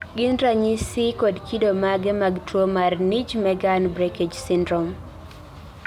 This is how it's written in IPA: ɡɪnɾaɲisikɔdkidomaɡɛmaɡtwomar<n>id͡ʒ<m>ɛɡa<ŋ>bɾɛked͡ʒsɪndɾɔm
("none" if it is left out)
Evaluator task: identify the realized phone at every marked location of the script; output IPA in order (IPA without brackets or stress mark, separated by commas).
n, m, n